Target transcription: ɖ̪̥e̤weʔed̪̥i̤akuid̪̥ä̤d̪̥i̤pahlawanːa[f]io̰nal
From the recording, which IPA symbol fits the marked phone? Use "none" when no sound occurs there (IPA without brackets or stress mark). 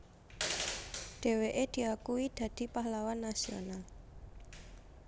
s